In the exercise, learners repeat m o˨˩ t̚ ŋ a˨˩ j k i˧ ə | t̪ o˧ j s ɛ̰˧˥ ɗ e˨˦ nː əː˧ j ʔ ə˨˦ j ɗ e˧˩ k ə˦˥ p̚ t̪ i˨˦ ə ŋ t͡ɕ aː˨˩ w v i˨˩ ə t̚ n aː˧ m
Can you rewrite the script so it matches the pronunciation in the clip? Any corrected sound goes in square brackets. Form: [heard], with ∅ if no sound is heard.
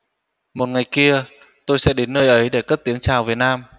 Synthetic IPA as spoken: m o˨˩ t̚ ŋ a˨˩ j k i˧ ə | t̪ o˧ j s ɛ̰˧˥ ɗ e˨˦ nː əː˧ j ʔ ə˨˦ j ɗ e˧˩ k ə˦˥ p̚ t̪ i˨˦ ə ŋ t͡ɕ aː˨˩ w v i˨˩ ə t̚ n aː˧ m